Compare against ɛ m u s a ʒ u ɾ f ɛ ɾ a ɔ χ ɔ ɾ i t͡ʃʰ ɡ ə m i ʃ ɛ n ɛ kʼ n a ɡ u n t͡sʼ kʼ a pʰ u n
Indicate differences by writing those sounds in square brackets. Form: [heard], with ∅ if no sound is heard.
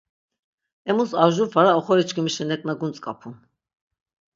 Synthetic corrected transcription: ɛ m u s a ʒ u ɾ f [a] ɾ a ɔ χ ɔ ɾ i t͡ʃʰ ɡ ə m i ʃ ɛ n ɛ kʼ n a ɡ u n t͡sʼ kʼ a pʰ u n

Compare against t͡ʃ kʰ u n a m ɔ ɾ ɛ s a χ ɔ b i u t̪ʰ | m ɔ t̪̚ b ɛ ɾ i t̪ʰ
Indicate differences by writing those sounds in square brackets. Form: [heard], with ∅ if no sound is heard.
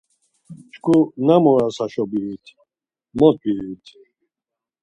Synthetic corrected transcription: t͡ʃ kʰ u n a m ɔ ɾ [a] s a [ʃ] ɔ b i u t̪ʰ | m ɔ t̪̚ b [i] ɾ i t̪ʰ

